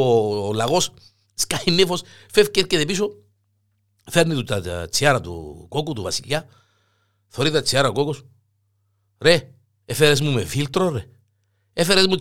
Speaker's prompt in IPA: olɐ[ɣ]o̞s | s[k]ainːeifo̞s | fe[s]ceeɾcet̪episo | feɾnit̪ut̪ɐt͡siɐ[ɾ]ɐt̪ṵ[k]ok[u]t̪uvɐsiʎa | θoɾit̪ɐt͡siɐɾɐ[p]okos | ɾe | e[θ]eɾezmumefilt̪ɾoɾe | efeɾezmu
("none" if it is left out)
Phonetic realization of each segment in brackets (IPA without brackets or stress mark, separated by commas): ɣ, k, f, ɾ, k, u, k, f